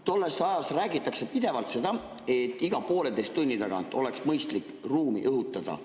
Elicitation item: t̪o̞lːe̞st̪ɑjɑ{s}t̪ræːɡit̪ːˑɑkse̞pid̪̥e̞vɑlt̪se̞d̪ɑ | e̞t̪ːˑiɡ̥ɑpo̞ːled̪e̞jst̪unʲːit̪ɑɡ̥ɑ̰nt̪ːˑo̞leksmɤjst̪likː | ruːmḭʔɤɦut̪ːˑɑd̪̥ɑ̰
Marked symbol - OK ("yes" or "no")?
yes